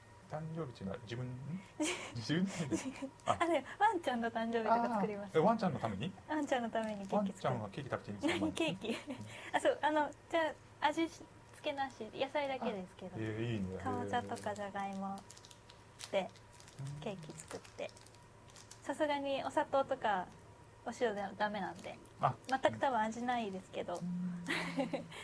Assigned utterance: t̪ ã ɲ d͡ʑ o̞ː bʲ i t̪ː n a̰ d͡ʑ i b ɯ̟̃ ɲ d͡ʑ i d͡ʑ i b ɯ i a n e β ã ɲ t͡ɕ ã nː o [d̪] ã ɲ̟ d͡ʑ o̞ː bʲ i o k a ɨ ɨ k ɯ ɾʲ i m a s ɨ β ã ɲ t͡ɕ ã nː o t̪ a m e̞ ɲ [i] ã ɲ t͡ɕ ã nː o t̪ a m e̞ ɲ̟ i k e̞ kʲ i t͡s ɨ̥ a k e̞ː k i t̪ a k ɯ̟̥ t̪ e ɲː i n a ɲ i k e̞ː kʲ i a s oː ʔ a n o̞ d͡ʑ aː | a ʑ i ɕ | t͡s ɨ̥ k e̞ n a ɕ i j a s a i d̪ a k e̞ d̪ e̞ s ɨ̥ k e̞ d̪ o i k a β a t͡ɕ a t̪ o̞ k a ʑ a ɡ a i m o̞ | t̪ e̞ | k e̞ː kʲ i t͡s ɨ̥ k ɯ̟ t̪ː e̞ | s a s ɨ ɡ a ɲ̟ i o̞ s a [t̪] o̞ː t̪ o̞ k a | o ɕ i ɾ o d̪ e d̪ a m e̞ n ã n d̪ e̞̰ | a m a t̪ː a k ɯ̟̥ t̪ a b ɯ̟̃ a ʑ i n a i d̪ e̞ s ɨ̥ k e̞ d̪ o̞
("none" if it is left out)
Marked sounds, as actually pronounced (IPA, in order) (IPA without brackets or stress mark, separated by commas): t̪, i, t̪